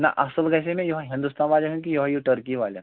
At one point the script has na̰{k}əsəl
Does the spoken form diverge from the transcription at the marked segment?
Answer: yes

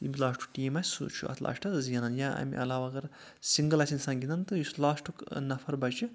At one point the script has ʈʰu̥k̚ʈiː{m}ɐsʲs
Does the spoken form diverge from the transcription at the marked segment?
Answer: no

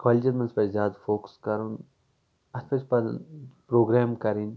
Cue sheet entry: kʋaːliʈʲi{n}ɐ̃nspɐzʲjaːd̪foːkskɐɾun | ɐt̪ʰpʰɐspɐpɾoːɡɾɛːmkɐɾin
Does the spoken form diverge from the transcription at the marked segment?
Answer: yes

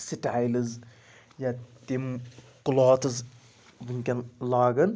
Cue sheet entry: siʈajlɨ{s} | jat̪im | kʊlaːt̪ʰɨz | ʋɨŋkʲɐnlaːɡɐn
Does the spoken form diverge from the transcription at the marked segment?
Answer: yes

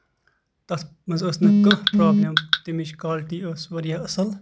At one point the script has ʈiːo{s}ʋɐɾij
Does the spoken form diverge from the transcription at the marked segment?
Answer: no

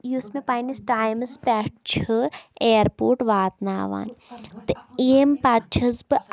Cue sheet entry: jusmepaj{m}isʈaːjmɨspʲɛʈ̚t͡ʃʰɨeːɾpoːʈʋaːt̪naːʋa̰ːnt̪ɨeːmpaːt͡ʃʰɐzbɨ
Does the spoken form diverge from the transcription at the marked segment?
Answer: yes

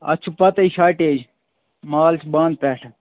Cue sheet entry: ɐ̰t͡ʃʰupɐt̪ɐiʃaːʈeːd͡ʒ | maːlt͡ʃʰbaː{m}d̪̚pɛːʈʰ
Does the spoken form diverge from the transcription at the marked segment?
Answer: yes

